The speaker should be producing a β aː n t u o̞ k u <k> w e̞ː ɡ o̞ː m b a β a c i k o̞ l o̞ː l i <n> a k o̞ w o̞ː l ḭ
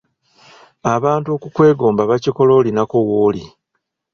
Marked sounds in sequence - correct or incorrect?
correct, correct

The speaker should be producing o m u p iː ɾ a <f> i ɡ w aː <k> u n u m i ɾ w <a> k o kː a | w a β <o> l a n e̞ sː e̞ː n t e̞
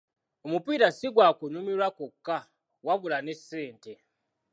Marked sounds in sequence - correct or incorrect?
incorrect, correct, correct, incorrect

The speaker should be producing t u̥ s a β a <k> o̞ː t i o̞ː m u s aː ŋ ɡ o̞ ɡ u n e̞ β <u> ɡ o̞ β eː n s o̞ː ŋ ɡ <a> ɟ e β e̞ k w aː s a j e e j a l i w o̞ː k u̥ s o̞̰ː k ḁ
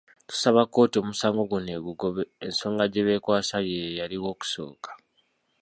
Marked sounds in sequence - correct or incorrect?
correct, correct, correct

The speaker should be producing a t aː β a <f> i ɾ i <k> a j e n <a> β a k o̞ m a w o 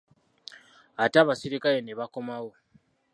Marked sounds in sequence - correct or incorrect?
incorrect, correct, incorrect

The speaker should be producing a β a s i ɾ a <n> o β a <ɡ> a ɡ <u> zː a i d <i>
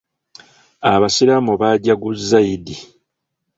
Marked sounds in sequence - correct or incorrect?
incorrect, incorrect, correct, correct

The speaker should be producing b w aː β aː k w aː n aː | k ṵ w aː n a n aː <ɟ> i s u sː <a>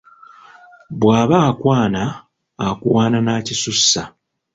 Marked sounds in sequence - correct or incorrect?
incorrect, correct

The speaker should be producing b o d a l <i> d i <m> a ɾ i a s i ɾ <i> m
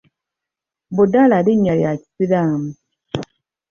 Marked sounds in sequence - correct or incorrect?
incorrect, incorrect, incorrect

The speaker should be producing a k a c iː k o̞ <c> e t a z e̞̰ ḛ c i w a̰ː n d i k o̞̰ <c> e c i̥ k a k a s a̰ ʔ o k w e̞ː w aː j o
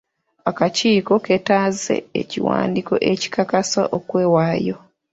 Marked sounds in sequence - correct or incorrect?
incorrect, incorrect

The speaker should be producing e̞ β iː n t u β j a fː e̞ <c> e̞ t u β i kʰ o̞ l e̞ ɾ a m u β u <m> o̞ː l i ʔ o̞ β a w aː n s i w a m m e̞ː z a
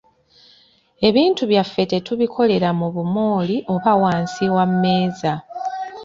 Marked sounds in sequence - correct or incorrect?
incorrect, correct

